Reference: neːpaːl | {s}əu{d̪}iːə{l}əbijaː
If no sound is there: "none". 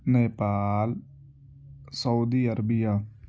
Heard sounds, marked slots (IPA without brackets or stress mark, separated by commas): s, d̪, ɾ